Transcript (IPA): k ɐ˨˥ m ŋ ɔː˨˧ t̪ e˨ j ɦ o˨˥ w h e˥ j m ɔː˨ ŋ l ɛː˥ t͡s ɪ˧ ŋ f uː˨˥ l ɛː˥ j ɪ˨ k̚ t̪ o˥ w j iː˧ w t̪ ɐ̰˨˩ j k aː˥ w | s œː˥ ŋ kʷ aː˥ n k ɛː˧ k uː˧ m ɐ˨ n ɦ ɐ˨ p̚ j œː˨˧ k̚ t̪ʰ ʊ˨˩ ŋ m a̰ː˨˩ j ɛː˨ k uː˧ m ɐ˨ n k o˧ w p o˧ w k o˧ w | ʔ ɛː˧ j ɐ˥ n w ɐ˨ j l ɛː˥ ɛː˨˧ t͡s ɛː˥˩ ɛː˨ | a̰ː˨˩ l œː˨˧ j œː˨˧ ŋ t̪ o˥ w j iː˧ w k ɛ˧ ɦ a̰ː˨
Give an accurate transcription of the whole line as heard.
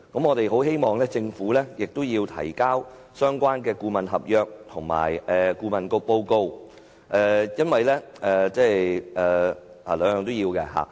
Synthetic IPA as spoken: k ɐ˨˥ m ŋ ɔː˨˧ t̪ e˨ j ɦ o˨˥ w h e˥ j m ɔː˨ ŋ l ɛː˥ t͡s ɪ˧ ŋ f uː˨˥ l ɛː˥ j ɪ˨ k̚ t̪ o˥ w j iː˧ w t̪ʰ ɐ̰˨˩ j k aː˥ w | s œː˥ ŋ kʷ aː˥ n k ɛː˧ k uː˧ m ɐ˨ n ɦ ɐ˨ p̚ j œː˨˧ k̚ t̪ʰ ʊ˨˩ ŋ m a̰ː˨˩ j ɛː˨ k uː˧ m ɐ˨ n k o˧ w p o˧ w k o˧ w | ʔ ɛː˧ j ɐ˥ n w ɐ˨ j l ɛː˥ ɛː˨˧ t͡s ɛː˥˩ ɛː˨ | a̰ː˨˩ l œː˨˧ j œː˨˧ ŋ t̪ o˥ w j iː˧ w k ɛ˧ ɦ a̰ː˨